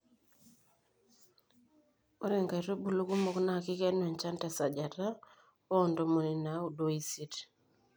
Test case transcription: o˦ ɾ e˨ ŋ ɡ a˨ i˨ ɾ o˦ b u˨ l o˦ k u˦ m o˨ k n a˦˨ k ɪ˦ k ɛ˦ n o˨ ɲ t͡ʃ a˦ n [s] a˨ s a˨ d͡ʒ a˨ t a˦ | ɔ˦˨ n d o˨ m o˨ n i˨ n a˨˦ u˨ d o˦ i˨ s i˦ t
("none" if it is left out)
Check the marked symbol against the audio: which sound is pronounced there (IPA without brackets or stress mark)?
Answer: t